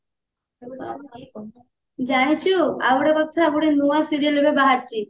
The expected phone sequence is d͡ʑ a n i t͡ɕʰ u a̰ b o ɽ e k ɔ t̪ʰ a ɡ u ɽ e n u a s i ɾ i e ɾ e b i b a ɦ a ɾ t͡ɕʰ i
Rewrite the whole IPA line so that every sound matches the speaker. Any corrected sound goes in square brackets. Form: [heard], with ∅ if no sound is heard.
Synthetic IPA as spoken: d͡ʑ a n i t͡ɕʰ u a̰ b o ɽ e k ɔ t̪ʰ a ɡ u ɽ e n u a s i ɾ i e [l] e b [e] b a ɦ a ɾ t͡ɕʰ i